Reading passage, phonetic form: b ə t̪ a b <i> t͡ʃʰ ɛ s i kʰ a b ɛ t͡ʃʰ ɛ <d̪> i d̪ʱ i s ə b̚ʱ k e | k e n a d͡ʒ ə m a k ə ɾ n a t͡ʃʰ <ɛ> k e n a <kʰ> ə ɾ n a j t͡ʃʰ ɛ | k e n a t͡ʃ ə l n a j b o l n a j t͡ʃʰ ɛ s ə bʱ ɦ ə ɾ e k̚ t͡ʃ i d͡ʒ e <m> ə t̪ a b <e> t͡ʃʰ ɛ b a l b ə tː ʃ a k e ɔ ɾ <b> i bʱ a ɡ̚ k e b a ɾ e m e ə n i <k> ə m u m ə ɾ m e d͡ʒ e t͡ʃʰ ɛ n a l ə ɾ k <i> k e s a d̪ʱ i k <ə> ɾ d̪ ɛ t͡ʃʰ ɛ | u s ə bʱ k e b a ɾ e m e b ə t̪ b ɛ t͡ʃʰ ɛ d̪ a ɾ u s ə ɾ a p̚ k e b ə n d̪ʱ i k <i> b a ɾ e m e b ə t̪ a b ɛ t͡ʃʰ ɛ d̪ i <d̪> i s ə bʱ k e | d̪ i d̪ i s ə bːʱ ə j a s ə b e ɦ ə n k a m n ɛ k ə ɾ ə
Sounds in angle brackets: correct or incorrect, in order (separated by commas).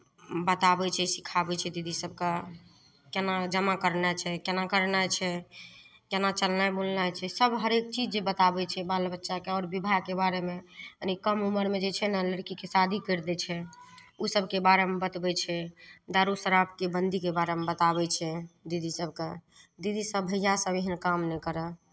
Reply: incorrect, correct, correct, incorrect, incorrect, incorrect, correct, correct, correct, correct, incorrect, correct